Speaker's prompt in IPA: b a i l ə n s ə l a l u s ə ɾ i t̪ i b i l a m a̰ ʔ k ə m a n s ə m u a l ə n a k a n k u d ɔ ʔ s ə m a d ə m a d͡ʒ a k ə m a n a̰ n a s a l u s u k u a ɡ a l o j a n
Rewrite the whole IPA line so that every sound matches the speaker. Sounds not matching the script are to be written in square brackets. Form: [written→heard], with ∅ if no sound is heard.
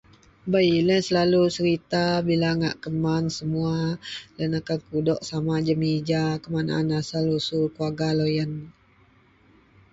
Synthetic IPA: b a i l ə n s ə l a l u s ə ɾ i t̪ [i→a] b i l a [m→ŋ] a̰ ʔ k ə m a n s ə m u a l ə n a k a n k u d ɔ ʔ s [ə→a] m a [d→d͡ʒ] ə m [a→i] d͡ʒ a k ə m a n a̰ n a s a l u s u k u a ɡ a l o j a n